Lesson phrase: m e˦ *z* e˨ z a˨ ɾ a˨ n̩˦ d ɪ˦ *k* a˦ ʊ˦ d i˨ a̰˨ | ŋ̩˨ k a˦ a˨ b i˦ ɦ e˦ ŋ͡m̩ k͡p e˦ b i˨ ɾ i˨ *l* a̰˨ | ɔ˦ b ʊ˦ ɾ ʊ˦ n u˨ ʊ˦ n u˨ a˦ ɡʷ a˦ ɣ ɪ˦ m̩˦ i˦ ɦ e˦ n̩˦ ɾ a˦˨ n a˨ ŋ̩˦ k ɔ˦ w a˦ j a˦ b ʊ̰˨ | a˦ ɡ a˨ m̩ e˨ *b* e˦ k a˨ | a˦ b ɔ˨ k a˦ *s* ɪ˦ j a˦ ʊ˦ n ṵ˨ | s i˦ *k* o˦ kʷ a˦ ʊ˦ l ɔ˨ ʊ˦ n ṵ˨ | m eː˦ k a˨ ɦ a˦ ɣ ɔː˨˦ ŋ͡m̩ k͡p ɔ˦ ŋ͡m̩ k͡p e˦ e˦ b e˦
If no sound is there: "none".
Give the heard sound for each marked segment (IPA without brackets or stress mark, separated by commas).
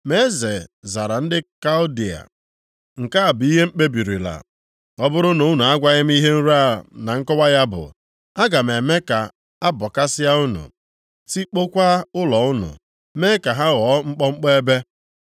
z, k, l, m, s, k͡p